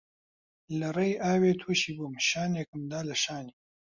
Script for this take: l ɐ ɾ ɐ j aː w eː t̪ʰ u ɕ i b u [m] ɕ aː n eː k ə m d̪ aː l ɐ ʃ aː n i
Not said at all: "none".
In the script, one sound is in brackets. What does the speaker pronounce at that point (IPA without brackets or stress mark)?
m